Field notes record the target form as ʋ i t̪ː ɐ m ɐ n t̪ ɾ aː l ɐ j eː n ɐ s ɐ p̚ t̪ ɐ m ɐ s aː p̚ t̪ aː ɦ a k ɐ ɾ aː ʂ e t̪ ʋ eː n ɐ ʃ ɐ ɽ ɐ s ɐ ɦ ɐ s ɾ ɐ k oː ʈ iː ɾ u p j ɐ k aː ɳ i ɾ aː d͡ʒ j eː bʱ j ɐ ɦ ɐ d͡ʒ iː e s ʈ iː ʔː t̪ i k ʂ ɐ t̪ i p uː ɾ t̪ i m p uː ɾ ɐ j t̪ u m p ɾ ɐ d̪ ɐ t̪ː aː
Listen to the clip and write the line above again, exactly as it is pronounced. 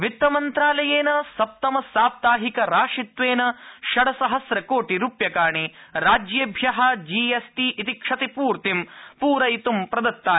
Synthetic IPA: ʋ i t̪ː ɐ m ɐ n t̪ ɾ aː l ɐ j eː n ɐ s ɐ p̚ t̪ ɐ m ɐ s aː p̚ t̪ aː ɦ i k ɐ ɾ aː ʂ i t̪ ʋ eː n ɐ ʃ ɐ ɽ ɐ s ɐ ɦ ɐ s ɾ ɐ k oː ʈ i ɾ u p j ɐ k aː ɳ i ɾ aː d͡ʒ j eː bʱ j ɐ ɦ ɐ d͡ʒ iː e s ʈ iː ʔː t̪ i k ʂ ɐ t̪ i p uː ɾ t̪ i m p uː ɾ ɐ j t̪ u m p ɾ ɐ d̪ ɐ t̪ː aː